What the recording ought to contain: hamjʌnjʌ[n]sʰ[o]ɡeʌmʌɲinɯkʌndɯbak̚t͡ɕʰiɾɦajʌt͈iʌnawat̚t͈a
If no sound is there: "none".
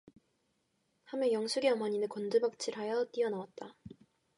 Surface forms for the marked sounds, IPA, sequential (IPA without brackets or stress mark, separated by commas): ŋ, u